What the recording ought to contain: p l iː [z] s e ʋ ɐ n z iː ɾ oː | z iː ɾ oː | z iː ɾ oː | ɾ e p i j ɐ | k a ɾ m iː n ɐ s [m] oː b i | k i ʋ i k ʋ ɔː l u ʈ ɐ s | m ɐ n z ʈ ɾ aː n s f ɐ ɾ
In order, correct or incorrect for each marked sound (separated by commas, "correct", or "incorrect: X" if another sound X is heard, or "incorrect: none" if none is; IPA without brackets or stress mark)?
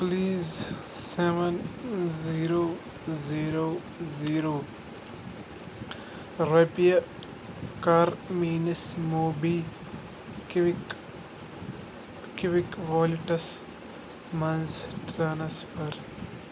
correct, correct